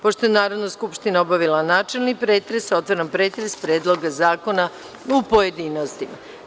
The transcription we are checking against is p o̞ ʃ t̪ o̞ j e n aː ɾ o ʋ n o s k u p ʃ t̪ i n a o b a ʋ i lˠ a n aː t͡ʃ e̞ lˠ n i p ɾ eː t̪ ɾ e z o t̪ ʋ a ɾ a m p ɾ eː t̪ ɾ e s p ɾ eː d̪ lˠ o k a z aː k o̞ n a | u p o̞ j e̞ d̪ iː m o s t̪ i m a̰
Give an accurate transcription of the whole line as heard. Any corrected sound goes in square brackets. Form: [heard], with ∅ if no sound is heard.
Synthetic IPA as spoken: p o̞ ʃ t̪ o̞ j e n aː ɾ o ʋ n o s k u p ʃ t̪ i n a o b a ʋ i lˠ a n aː t͡ʃ e̞ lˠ n i p ɾ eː t̪ ɾ e [s] o t̪ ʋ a ɾ a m p ɾ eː t̪ ɾ e s p ɾ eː d̪ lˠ o [ɡ] a z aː k o̞ n a | u p o̞ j e̞ d̪ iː [n] o s t̪ i m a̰